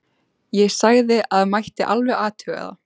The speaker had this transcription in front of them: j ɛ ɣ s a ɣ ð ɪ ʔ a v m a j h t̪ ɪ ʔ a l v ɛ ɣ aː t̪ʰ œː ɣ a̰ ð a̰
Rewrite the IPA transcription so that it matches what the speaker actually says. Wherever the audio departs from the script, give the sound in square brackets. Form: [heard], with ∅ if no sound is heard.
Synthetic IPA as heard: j ɛ ɣ s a ɣ ð ɪ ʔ a [ð] m a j h t̪ ɪ ʔ a l v ɛ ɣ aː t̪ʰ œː ɣ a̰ ð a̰